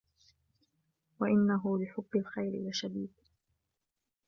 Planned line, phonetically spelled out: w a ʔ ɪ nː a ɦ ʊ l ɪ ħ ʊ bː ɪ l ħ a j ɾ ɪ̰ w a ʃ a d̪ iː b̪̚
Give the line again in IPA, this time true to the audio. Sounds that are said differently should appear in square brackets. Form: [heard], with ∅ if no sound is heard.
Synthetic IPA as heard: w a ʔ ɪ nː a ɦ ʊ l ɪ ħ ʊ bː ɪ l [x] a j ɾ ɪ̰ w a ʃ a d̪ iː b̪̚